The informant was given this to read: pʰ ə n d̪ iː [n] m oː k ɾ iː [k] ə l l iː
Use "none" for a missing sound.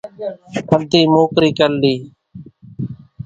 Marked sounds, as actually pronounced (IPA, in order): none, k

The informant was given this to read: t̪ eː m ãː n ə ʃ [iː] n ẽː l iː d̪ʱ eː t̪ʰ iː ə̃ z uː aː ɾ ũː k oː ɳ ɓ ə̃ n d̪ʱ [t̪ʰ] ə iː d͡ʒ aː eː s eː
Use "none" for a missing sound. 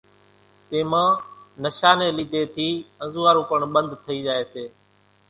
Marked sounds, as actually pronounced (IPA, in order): aː, t̪ʰ

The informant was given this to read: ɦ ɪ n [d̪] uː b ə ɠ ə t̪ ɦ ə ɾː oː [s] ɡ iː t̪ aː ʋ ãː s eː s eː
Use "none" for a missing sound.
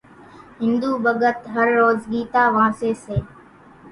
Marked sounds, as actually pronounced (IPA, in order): d̪, z

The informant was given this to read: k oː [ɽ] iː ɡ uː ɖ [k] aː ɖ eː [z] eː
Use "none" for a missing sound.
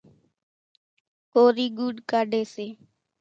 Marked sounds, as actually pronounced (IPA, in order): ɾ, k, s

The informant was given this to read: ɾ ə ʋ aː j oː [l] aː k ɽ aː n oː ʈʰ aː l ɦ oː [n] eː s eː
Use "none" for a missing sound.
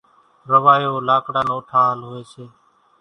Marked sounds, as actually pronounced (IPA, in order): l, none

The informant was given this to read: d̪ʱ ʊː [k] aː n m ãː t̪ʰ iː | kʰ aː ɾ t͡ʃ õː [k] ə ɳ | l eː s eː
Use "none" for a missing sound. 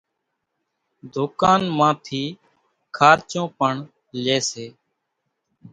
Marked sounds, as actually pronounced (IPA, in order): k, p

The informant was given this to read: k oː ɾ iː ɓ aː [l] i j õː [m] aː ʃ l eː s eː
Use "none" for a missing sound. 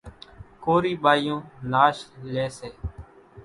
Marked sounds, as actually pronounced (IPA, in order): none, n

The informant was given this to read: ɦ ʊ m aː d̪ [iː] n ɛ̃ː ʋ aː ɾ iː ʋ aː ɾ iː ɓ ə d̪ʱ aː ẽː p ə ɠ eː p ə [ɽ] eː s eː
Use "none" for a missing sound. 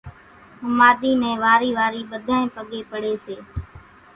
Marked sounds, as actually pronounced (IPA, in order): iː, ɽ

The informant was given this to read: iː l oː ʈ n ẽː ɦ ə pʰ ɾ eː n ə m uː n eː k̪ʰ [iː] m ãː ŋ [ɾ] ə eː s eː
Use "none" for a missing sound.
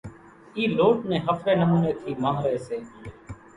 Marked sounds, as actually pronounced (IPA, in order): iː, ɾ

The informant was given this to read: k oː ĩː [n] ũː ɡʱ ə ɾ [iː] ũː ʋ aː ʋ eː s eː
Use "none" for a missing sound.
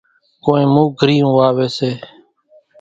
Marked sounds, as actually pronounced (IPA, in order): m, iː

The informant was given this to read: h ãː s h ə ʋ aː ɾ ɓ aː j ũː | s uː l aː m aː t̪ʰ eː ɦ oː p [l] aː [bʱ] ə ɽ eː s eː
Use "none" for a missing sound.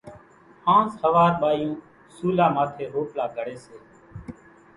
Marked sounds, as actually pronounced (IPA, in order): l, ɡʱ

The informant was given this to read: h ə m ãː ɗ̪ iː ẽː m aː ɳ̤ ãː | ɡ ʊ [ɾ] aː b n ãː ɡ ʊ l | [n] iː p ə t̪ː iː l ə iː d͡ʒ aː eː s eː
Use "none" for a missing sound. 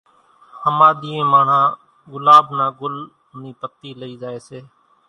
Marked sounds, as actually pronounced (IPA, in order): l, n

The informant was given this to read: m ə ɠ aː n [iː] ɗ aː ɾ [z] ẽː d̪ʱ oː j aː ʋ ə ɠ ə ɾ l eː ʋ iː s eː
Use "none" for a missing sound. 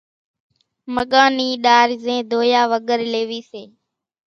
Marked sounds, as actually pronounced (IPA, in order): iː, z

